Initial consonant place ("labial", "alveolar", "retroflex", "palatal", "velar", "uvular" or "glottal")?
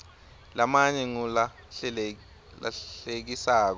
alveolar